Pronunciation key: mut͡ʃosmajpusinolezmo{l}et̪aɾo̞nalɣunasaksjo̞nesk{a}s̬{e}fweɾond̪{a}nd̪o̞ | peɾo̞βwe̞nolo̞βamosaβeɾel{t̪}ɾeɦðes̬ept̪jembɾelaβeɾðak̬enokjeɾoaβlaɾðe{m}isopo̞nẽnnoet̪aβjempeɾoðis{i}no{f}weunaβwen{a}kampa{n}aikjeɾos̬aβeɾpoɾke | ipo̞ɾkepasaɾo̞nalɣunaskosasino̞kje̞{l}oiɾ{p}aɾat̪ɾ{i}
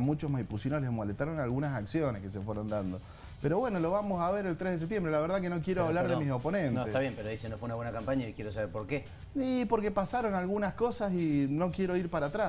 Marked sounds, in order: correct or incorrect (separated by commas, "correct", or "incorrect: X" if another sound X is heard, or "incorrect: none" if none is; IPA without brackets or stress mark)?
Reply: correct, incorrect: e, correct, correct, correct, correct, incorrect: e, correct, correct, incorrect: ɲ, incorrect: ɾ, correct, incorrect: a